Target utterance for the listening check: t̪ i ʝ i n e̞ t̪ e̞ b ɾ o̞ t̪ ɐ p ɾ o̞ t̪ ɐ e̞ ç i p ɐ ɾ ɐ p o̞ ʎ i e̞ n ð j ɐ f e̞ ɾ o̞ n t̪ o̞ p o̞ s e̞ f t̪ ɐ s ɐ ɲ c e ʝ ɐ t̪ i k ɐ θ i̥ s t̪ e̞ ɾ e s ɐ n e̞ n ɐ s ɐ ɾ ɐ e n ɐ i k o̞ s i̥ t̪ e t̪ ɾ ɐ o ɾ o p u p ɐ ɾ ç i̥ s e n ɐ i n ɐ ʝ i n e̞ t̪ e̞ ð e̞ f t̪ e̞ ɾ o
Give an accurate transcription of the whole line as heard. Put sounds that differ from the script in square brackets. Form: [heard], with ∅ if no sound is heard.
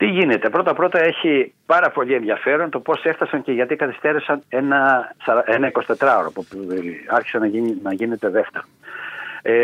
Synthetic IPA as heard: t̪ i ʝ i n e̞ t̪ e̞ [p] ɾ o̞ t̪ ɐ p ɾ o̞ t̪ ɐ e̞ ç i p ɐ ɾ ɐ p o̞ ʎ i e̞ n ð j ɐ f e̞ ɾ o̞ n t̪ o̞ p o̞ s e̞ f t̪ ɐ s ɐ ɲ c e ʝ ɐ t̪ i k ɐ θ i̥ s t̪ e̞ ɾ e s ɐ n e̞ n ɐ s ɐ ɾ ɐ e n ɐ i k o̞ s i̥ t̪ e t̪ ɾ ɐ o ɾ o p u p ɐ ɾ ç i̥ s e n ɐ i n ɐ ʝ i n e̞ t̪ e̞ ð e̞ f t̪ e̞ ɾ o